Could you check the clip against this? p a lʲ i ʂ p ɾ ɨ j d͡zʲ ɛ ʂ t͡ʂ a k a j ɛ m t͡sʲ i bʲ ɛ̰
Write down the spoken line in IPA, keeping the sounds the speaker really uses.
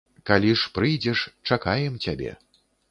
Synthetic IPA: k a lʲ i ʂ p ɾ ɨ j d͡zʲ ɛ ʂ t͡ʂ a k a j ɛ m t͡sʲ a bʲ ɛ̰